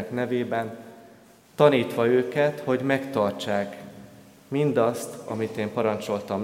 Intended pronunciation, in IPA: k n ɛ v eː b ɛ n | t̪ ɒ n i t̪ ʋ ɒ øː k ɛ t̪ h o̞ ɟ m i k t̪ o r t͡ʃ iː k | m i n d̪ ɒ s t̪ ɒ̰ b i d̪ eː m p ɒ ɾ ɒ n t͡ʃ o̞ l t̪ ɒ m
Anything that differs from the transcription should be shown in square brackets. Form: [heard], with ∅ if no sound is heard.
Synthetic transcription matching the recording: k n ɛ v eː b ɛ n | t̪ ɒ n [iː] t̪ ʋ ɒ øː k ɛ t̪ h o̞ ɟ m [ɛ] k t̪ [ɒ] r t͡ʃ [aː] k | m i n d̪ ɒ s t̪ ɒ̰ [m] i [t̪] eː m p ɒ ɾ ɒ n t͡ʃ o̞ l t̪ ɒ m